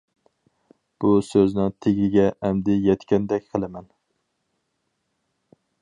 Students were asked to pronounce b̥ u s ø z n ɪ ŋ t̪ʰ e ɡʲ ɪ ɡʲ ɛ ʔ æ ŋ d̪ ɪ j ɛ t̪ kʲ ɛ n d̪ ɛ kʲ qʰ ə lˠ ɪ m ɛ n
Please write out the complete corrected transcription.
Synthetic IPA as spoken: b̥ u s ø z n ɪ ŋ t̪ʰ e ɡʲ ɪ ɡʲ ɛ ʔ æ m d̪ ɪ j ɛ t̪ kʲ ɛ n d̪ ɛ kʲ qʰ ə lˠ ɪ m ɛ n